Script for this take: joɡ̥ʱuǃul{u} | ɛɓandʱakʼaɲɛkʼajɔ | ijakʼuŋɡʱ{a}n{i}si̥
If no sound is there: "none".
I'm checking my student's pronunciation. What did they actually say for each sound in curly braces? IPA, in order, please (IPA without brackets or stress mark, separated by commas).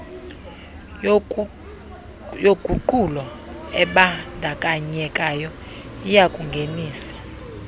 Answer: ɔ, e, iː